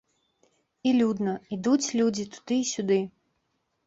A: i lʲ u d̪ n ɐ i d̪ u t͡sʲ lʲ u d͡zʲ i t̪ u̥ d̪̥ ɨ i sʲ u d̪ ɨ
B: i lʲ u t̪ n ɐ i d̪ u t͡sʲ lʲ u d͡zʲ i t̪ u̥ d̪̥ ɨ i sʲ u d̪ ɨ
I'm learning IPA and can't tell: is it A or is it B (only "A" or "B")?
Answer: A